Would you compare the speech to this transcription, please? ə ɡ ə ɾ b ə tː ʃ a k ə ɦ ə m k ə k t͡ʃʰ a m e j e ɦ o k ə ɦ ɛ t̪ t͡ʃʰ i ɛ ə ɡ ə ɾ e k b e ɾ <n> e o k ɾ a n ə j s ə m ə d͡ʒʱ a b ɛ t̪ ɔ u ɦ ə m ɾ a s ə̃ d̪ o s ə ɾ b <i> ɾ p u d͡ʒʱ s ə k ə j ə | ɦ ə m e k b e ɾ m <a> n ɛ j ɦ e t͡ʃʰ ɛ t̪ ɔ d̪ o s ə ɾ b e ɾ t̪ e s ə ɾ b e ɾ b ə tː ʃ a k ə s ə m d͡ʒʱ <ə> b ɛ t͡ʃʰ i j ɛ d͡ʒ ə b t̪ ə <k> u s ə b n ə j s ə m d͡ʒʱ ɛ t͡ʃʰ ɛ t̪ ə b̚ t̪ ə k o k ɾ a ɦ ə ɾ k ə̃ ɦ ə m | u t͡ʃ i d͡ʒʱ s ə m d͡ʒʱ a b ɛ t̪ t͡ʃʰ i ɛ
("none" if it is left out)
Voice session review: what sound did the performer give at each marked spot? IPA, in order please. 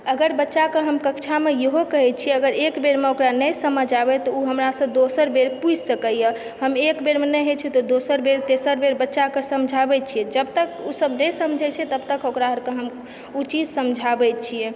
m, e, e, a, k

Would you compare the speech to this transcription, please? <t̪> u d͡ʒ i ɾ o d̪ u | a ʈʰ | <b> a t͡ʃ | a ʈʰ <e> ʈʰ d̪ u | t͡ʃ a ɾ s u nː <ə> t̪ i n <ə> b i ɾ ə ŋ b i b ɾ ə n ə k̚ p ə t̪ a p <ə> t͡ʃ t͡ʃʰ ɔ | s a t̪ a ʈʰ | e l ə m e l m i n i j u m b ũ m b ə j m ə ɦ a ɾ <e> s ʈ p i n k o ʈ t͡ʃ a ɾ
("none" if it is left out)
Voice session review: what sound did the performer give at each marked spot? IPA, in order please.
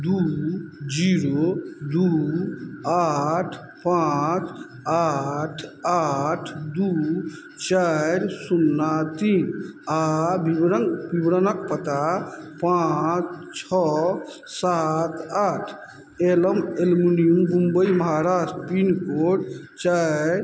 d̪, p, a, a, a, a, a

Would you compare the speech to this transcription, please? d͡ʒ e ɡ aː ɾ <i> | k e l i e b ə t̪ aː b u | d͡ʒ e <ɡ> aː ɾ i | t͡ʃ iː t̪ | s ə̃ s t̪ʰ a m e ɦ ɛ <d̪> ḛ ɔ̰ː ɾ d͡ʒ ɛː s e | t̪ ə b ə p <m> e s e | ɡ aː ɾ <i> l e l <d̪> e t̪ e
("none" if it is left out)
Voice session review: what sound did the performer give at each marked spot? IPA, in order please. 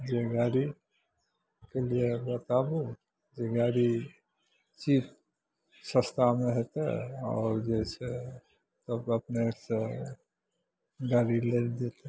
i, ɡ, t̪, n, i, d̪

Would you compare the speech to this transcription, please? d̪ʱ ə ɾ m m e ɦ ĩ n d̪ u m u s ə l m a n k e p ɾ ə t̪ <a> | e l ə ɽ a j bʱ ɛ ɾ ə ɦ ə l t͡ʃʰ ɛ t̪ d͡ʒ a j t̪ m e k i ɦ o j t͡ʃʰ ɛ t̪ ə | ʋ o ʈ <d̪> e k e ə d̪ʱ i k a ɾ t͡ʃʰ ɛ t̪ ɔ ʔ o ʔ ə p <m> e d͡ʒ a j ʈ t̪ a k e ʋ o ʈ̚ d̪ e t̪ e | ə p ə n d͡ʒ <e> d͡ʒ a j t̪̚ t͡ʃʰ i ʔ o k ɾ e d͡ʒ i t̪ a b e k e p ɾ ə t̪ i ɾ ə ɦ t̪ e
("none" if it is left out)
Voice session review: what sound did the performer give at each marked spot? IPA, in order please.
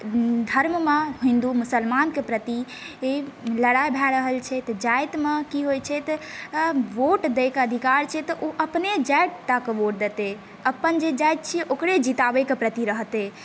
i, d̪, n, e

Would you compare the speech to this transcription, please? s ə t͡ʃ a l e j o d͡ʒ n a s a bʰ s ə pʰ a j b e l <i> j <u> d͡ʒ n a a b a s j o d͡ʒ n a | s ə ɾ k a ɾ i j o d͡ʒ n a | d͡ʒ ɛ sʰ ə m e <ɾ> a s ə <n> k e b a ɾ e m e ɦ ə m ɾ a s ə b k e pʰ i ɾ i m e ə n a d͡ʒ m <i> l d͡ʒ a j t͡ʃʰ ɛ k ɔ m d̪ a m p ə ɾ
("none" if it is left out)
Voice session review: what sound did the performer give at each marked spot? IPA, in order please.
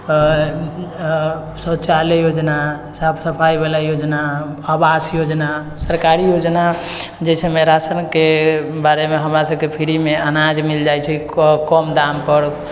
a, o, ɾ, n, i

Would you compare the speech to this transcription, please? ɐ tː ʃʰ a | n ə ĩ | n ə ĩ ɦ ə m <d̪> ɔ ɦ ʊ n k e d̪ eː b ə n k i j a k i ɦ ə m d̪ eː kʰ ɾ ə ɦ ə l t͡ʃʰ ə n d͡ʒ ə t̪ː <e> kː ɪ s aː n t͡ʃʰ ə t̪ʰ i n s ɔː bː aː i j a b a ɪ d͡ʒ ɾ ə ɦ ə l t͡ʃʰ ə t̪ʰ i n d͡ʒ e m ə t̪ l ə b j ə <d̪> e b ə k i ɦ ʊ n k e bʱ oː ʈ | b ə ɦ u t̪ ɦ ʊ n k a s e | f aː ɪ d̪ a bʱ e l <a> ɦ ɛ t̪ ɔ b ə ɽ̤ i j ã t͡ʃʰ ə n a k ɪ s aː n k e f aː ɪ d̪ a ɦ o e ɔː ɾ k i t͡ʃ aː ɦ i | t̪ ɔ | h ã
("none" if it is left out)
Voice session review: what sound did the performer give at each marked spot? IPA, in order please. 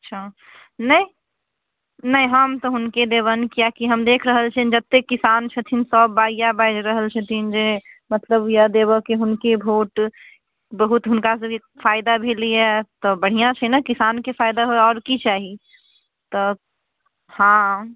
t̪, e, d̪, i

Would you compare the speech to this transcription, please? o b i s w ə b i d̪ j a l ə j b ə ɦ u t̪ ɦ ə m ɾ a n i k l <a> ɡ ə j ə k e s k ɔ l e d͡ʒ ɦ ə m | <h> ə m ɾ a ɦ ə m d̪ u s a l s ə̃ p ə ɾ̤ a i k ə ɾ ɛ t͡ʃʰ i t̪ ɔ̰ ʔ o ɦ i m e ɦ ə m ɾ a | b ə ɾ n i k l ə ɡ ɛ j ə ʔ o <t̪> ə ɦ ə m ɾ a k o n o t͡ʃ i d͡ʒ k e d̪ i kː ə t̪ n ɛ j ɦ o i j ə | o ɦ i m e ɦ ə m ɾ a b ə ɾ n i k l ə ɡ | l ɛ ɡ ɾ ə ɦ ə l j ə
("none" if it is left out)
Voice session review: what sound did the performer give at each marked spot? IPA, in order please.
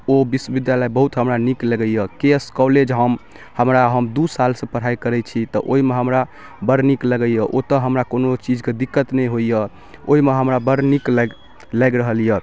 ə, h, t̪

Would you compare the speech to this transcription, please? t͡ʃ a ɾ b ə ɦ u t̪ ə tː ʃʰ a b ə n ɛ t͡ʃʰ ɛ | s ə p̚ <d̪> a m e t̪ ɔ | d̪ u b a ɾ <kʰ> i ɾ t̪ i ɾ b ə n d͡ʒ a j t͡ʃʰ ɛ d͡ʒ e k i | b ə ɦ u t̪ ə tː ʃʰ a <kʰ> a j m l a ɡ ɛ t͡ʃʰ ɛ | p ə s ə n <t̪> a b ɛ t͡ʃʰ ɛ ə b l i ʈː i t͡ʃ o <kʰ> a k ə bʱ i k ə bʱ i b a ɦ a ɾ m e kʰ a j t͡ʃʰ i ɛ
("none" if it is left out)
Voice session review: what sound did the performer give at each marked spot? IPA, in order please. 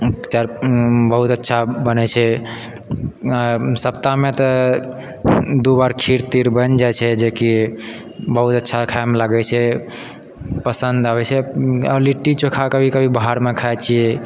t̪, kʰ, kʰ, d̪, kʰ

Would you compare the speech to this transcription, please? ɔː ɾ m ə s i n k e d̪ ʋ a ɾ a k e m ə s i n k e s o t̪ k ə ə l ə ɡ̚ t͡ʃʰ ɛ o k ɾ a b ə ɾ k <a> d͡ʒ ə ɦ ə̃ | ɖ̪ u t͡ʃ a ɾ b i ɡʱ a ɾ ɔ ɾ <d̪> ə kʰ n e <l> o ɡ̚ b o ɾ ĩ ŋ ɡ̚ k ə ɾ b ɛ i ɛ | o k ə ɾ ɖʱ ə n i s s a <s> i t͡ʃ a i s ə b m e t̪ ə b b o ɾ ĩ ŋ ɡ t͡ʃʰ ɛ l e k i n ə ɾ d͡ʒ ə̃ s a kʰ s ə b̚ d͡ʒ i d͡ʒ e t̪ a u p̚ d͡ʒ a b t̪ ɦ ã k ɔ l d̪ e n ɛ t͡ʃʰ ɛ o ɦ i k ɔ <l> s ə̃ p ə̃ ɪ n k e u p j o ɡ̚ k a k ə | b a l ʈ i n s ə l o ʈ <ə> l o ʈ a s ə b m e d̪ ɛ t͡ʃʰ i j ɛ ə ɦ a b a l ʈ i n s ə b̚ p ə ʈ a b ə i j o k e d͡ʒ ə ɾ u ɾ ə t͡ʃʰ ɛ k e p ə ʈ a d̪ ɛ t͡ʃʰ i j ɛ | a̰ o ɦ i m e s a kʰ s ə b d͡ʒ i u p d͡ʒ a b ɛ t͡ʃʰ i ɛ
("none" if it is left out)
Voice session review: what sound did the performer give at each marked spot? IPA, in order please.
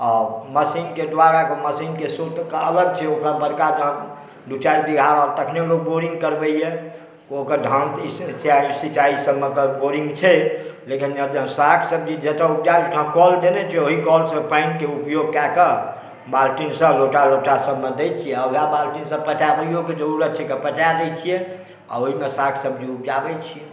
a, t̪, l, s, l, a

